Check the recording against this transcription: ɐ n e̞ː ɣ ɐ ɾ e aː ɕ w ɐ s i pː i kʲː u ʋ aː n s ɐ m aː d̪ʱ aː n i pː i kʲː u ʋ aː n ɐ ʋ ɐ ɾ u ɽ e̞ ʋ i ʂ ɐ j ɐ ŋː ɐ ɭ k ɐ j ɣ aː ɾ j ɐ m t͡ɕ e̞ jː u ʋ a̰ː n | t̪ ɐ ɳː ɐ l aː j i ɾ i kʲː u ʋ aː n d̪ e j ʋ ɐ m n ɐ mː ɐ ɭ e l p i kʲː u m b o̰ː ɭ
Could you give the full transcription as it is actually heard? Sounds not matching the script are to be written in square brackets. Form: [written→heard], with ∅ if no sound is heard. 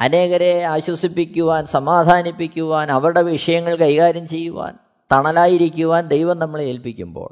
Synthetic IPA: ɐ n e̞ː ɣ ɐ ɾ e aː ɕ w ɐ s i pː i kʲː u ʋ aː n s ɐ m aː d̪ʱ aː n i pː i kʲː u ʋ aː n ɐ ʋ ɐ ɾ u ɽ e̞ ʋ i ʂ ɐ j ɐ ŋː ɐ ɭ k ɐ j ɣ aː ɾ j ɐ m t͡ɕ e̞ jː u ʋ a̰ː n | t̪ ɐ [ɳː→ɳ] ɐ l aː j i ɾ i kʲː u ʋ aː n d̪ e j ʋ ɐ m n ɐ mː ɐ ɭ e l p i kʲː u m b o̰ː ɭ